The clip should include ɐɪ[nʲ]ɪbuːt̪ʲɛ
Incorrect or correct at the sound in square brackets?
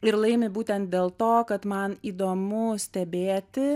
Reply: incorrect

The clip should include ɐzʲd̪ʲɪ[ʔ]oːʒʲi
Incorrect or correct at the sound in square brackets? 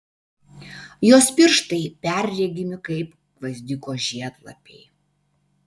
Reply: incorrect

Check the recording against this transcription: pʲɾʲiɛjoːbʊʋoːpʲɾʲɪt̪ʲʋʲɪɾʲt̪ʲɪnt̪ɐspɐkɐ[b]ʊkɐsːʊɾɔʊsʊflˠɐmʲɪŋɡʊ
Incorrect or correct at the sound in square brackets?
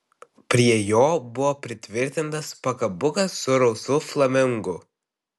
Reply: correct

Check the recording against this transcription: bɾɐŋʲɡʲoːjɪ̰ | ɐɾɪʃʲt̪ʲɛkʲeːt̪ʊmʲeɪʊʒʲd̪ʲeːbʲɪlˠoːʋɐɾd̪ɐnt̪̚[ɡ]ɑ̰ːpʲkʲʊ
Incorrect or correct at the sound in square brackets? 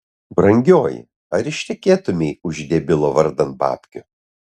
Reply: incorrect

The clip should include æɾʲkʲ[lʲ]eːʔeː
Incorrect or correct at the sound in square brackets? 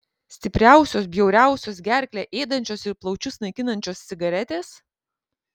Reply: correct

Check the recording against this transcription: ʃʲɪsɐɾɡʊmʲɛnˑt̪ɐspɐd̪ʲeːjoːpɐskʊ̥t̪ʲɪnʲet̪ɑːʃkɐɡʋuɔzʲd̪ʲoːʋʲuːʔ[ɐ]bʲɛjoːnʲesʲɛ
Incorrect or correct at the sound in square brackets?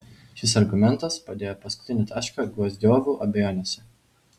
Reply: correct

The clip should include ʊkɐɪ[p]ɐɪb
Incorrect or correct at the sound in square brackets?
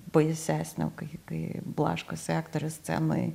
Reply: incorrect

